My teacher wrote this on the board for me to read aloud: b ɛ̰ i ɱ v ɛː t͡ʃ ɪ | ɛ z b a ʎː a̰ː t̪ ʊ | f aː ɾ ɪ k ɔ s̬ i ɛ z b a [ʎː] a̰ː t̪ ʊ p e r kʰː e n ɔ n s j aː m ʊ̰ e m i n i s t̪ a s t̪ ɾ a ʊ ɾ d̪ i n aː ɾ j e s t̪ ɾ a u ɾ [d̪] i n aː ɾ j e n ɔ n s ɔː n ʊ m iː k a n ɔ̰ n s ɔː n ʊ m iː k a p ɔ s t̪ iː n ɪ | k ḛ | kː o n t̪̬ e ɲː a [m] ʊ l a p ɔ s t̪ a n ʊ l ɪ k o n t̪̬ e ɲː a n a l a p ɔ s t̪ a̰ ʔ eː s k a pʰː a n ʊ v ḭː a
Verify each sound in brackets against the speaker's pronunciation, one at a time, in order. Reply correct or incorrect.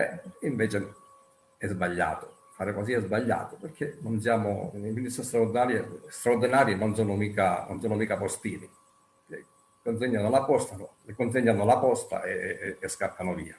correct, correct, incorrect: n

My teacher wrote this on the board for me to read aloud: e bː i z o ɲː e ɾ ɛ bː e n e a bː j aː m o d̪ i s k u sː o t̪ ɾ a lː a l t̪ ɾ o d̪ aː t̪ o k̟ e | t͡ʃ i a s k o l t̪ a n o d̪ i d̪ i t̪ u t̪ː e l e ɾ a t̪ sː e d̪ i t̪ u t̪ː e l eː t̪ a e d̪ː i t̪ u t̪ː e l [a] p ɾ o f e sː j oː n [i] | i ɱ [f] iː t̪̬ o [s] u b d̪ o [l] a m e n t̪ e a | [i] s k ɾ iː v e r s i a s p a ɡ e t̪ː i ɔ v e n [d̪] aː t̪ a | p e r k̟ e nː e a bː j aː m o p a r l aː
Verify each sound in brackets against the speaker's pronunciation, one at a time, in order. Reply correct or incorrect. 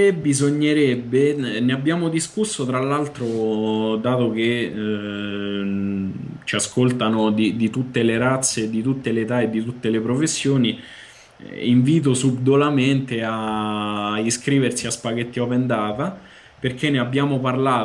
incorrect: e, correct, incorrect: v, correct, correct, correct, correct

